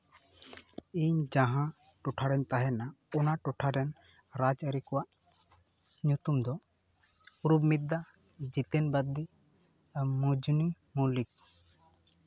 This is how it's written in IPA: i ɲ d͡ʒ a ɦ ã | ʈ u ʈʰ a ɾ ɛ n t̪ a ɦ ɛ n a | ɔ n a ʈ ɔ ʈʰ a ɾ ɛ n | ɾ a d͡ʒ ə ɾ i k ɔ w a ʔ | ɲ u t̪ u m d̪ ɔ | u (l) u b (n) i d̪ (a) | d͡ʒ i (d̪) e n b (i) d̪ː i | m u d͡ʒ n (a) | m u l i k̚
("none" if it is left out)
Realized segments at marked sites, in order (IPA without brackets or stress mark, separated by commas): ɾ, m, a, t̪, a, i